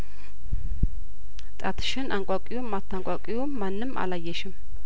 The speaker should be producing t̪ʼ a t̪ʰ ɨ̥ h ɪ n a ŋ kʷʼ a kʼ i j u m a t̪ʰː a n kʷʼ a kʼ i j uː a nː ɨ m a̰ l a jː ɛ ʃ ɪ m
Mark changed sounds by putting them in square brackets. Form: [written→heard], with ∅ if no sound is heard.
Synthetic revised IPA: t̪ʼ a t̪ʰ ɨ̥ [h→ʃ] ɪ n a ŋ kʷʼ a kʼ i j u m a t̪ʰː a [n→ŋ] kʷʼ a kʼ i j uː a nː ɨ m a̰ l a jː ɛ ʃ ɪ m